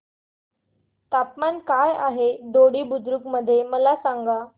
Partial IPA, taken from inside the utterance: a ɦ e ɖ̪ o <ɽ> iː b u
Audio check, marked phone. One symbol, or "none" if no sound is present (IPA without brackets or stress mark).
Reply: ɽ